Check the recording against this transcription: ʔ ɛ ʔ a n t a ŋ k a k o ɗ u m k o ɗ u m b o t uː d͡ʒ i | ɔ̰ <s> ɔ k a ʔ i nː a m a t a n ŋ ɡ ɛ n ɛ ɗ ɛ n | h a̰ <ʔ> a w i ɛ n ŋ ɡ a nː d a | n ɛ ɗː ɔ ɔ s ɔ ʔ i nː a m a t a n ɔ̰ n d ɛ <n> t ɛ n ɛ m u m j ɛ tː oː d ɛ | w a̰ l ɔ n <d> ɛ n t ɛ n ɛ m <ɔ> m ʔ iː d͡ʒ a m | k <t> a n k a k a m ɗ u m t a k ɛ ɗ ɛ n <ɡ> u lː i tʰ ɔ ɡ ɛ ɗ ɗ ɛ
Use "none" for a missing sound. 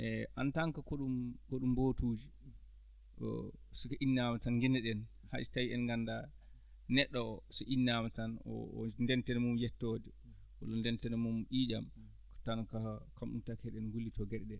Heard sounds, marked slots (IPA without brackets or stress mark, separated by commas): s, t, n, d, u, t, ɡ